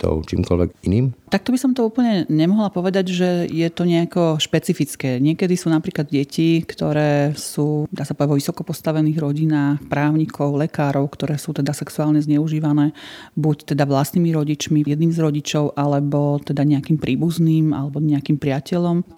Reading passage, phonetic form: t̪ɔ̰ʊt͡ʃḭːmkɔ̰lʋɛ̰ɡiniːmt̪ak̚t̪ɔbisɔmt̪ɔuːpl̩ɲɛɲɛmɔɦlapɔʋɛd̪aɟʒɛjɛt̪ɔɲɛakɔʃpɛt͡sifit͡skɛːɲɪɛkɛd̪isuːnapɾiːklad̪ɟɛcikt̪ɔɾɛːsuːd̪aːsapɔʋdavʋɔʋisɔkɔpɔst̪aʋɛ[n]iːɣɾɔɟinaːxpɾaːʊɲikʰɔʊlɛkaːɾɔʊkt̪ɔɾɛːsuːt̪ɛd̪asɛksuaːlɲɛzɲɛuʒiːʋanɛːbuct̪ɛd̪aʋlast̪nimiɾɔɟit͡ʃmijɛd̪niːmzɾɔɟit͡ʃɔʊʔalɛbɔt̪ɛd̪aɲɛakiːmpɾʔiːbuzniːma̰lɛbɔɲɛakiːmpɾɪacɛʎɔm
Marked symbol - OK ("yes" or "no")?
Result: yes